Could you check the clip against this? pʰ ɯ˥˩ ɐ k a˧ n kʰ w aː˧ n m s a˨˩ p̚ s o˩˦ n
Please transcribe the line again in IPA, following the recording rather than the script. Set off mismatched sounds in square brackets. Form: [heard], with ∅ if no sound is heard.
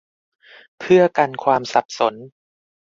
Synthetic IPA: pʰ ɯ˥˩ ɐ k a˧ n kʰ w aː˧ [∅] m s a˨˩ p̚ s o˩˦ n

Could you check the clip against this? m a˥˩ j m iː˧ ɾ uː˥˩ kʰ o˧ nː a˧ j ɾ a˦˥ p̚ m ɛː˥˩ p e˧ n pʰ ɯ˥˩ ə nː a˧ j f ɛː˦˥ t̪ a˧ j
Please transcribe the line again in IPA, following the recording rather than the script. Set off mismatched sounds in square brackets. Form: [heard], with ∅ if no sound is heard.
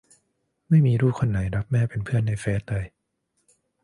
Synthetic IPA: m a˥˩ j m iː˧ ɾ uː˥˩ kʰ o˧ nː [a˩˦] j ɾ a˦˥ p̚ m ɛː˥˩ p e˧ n pʰ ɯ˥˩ ə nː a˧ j f ɛː˦˥ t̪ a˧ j

